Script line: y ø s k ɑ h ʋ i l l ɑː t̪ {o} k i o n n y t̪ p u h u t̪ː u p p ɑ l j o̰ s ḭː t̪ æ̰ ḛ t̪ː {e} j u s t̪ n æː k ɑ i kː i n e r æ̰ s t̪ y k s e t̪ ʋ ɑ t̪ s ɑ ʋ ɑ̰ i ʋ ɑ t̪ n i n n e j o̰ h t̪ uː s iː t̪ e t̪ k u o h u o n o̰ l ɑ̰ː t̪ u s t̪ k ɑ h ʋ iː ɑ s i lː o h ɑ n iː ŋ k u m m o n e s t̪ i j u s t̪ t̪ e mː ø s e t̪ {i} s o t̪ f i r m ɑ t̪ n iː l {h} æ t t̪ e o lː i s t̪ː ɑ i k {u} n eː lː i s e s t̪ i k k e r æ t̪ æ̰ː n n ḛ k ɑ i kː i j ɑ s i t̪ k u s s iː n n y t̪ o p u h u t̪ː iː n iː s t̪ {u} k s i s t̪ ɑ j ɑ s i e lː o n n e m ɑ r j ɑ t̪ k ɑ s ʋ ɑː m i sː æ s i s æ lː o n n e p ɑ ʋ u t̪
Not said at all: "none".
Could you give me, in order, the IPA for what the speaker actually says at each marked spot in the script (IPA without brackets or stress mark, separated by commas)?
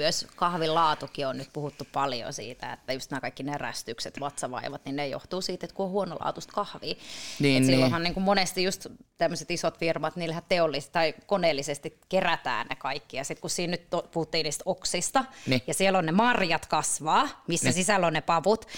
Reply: u, æ, i, h, o, o